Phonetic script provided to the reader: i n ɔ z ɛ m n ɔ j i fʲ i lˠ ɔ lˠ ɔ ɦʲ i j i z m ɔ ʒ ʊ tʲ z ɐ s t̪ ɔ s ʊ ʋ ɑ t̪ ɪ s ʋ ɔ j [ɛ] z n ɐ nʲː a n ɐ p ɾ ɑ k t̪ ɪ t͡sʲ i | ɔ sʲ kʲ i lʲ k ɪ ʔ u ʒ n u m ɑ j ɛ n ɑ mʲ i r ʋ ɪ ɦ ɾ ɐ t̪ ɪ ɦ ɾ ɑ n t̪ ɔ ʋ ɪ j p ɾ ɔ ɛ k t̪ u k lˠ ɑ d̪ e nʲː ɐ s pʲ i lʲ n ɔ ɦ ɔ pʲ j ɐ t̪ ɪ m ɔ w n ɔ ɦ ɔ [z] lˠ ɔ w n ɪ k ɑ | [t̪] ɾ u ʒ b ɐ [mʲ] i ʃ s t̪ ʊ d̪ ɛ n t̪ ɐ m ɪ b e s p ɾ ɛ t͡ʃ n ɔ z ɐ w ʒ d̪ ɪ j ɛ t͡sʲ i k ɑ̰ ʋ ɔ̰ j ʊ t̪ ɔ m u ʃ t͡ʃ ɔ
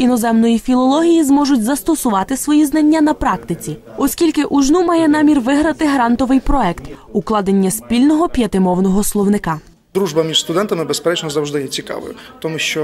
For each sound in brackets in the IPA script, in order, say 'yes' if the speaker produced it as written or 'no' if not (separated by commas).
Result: no, no, no, yes